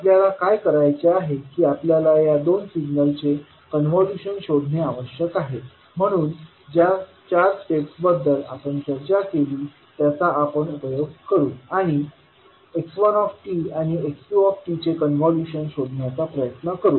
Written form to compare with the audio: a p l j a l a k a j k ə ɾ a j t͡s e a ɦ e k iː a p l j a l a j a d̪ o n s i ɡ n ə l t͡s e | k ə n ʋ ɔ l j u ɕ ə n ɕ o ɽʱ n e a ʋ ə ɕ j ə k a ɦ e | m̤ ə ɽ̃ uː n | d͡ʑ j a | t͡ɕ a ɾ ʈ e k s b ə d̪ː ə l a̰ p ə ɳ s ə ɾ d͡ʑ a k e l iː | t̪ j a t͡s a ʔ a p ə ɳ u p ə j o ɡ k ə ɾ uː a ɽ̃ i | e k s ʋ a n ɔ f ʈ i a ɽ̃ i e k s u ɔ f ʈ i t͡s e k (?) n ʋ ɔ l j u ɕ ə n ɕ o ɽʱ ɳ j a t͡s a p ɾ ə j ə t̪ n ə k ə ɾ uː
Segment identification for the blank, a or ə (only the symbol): ə